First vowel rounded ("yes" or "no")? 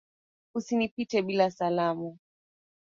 yes